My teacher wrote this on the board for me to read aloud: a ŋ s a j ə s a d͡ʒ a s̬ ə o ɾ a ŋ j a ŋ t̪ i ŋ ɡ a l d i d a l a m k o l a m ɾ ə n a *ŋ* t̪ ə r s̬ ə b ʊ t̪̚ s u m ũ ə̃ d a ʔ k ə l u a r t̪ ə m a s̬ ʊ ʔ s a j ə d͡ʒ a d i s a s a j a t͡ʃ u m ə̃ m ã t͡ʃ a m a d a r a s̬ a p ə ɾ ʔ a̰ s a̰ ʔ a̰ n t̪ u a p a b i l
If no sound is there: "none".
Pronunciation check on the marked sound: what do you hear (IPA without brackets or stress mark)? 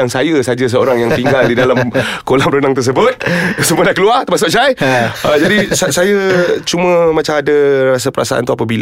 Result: ŋ